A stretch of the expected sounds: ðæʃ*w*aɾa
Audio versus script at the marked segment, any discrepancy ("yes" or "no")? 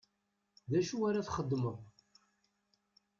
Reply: yes